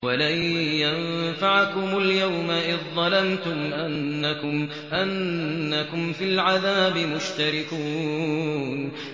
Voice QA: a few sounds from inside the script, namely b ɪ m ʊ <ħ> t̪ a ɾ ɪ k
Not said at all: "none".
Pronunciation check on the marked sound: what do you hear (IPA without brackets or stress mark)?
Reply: ʃ